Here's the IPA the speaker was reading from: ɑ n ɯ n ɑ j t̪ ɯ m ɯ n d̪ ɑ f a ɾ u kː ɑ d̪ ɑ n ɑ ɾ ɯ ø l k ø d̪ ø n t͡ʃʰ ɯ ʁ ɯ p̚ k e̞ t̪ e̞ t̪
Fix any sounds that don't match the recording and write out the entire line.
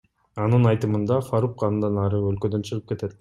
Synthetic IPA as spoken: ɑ n ɯ n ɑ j t̪ ɯ m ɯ n d̪ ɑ f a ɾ u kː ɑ d̪ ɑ n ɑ ɾ ɯ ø l k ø d̪ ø n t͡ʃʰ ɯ ʁ ɯ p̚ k e̞ t̪ e̞ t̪